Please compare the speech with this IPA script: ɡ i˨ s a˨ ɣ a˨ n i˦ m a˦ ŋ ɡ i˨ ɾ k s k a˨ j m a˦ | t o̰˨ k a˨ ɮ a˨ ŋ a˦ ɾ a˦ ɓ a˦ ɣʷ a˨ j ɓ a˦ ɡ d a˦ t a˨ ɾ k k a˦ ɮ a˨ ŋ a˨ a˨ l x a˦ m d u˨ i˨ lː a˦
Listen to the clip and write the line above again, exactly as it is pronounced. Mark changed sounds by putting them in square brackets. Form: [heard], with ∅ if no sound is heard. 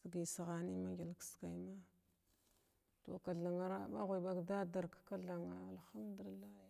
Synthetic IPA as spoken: ɡ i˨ s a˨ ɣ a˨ n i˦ m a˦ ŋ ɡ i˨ [l] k s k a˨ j m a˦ | t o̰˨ k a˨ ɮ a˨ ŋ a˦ ɾ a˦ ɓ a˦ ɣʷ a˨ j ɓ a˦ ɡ d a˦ [d] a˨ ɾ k k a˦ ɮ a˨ ŋ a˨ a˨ l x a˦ m d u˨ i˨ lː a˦